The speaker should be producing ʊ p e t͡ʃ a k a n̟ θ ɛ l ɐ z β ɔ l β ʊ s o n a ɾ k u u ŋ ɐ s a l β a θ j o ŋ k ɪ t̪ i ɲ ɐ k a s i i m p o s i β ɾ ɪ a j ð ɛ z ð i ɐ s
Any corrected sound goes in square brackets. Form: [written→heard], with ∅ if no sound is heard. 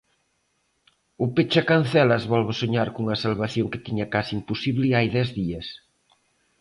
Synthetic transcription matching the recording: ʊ p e t͡ʃ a k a n̟ θ ɛ l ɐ z β ɔ l β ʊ s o [n→ɲ] a ɾ k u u ŋ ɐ s a l β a θ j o ŋ k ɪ t̪ i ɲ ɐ k a s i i m p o s i β [ɾ→l] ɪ a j ð ɛ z ð i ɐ s